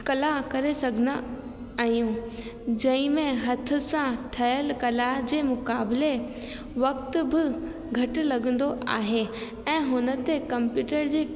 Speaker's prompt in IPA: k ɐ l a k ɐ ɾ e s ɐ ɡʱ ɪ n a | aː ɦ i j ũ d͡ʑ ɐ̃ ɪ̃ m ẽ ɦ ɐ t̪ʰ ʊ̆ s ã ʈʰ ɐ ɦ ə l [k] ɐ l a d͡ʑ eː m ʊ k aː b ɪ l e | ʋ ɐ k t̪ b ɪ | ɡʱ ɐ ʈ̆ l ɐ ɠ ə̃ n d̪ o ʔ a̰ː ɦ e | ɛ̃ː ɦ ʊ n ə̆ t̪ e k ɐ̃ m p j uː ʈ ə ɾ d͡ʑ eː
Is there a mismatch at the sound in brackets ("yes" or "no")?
no